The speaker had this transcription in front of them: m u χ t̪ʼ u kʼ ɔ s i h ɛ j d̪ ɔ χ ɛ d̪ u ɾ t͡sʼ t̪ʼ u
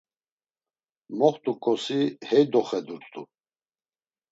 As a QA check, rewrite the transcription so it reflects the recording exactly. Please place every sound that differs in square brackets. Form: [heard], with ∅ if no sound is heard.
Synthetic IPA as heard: m [ɔ] χ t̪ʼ u kʼ ɔ s i h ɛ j d̪ ɔ χ ɛ d̪ u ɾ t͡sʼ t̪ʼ u